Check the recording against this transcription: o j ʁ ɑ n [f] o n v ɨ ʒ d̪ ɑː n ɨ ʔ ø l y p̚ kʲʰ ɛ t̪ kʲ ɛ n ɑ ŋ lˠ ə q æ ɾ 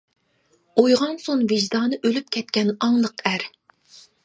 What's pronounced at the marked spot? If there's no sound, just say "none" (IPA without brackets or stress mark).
s